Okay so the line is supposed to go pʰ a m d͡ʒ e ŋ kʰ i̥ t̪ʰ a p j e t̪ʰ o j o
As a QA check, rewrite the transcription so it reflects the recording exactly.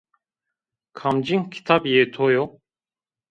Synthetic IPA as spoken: kʰ a m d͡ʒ i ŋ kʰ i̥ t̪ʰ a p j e t̪ʰ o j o